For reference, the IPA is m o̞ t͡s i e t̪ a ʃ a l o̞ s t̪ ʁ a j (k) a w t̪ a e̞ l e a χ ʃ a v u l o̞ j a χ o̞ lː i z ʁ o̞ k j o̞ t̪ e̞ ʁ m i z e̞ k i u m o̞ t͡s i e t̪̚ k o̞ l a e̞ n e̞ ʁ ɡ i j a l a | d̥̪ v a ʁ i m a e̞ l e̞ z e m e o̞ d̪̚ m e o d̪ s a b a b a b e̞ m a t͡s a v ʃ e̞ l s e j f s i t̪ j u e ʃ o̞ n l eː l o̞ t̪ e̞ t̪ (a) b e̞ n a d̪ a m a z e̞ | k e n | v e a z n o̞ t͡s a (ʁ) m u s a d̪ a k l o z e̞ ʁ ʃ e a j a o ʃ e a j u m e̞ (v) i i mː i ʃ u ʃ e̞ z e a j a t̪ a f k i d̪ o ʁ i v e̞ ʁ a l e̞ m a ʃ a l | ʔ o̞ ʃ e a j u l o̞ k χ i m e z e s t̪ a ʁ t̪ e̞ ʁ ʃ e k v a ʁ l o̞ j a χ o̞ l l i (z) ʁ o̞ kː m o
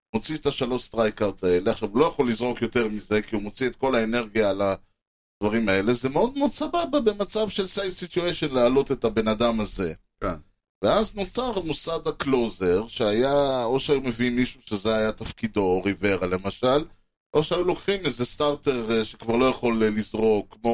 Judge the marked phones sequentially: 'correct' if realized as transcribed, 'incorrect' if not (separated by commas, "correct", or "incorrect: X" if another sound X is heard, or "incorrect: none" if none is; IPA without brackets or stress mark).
correct, correct, correct, correct, correct